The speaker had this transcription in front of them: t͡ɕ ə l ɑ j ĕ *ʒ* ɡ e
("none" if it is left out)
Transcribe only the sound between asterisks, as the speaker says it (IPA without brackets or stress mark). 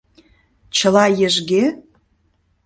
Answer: ʒ